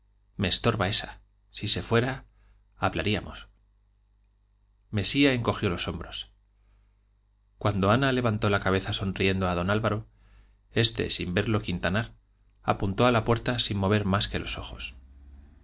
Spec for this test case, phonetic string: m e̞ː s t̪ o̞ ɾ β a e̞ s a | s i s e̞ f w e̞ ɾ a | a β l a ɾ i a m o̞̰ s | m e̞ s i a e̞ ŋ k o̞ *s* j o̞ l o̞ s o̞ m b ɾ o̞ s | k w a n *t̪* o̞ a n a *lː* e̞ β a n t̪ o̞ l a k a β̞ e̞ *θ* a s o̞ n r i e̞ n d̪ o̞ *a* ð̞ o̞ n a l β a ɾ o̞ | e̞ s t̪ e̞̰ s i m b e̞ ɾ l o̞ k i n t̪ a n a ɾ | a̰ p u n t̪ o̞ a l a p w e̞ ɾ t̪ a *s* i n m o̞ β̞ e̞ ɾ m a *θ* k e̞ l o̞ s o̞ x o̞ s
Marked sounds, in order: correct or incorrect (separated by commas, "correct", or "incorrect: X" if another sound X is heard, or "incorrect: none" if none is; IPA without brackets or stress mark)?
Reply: incorrect: x, incorrect: d̪, incorrect: l, correct, correct, correct, incorrect: s